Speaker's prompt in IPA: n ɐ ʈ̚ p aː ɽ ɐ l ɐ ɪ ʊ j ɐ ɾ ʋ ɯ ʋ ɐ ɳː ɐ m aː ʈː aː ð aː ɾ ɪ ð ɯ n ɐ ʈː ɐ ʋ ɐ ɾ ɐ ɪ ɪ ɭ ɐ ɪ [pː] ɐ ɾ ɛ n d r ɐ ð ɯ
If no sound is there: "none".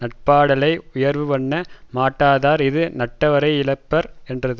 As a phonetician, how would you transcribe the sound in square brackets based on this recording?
pː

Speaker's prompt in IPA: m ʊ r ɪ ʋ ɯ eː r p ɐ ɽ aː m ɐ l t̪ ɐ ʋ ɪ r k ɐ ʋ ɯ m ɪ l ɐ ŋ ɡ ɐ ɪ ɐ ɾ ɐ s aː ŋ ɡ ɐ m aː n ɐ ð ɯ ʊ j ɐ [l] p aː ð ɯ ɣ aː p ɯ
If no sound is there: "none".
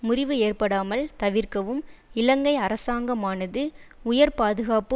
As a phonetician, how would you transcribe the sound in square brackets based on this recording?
ɾ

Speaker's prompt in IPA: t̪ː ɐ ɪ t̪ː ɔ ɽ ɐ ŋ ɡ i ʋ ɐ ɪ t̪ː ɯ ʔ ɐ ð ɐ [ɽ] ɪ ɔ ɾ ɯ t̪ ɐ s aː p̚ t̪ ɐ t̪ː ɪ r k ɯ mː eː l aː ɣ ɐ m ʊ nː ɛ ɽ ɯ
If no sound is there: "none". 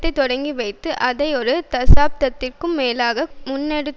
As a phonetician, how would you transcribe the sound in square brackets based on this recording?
none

